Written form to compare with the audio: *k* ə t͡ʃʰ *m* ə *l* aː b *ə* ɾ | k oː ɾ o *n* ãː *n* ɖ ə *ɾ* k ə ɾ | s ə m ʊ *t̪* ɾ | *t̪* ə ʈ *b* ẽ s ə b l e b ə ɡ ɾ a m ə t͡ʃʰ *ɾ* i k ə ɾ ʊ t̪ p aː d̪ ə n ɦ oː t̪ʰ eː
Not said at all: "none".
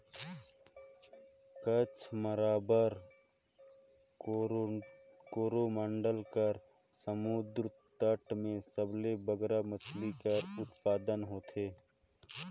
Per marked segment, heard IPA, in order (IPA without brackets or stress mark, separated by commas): k, m, ɾ, ə, m, ɳ, l, d̪, t̪, m, l